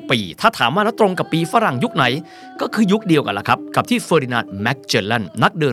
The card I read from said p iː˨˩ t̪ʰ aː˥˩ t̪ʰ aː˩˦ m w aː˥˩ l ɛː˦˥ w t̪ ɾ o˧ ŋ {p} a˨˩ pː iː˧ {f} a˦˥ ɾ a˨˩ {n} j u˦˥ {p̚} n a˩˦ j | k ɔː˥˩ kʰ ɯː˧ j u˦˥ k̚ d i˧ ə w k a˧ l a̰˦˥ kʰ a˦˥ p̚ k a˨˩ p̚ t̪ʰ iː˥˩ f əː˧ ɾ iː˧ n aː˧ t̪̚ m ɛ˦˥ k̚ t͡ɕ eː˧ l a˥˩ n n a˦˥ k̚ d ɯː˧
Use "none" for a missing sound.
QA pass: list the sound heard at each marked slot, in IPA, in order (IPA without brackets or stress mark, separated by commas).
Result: k, f, ŋ, k̚